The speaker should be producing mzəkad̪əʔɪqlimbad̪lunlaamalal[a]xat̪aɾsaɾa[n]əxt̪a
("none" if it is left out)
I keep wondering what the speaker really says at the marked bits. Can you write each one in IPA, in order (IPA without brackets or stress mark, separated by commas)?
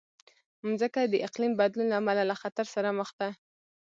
a, m